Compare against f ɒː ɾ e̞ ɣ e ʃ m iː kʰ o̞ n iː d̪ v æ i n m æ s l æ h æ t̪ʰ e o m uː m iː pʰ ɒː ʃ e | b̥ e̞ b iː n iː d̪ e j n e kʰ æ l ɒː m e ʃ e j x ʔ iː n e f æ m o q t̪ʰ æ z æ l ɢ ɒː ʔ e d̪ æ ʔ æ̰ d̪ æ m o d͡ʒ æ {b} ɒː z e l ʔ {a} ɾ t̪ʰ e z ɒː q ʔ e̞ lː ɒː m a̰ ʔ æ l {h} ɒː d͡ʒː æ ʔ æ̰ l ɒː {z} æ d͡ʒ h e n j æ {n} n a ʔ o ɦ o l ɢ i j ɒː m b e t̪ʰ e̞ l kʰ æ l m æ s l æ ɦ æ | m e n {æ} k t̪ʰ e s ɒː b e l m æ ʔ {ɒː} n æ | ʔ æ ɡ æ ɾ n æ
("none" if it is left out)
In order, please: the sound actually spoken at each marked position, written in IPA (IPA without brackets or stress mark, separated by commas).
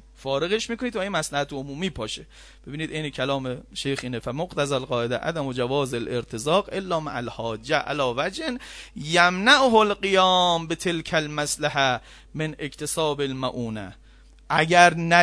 v, e, h, v, m, e, uː